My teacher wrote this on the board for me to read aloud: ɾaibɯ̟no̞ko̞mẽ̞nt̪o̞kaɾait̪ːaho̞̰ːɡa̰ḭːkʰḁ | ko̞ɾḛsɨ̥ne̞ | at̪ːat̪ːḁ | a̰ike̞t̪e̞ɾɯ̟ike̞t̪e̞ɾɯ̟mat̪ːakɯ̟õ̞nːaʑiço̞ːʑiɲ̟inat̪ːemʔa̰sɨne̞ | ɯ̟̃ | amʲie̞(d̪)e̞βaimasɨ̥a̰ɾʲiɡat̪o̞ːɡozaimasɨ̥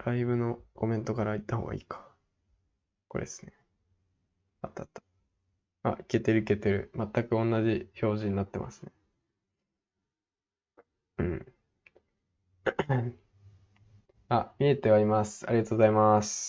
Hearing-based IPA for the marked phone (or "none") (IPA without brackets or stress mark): t̪